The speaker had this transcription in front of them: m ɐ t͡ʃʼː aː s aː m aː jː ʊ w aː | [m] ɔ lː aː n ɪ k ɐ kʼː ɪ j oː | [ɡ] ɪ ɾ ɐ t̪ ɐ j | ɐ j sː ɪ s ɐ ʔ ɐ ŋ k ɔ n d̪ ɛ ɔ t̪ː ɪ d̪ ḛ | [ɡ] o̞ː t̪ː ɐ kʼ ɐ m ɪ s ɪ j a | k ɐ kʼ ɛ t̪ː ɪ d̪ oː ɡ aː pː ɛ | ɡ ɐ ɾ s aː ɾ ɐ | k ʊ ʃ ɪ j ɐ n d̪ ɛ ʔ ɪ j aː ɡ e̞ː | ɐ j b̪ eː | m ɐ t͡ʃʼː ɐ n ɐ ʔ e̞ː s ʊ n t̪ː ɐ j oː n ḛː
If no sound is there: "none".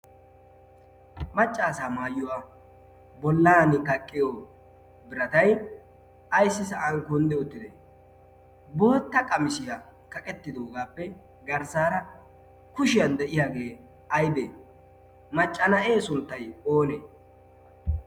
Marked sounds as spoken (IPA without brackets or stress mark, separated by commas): b, b, b